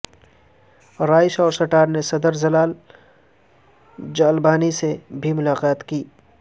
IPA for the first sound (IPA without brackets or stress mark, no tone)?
ɾ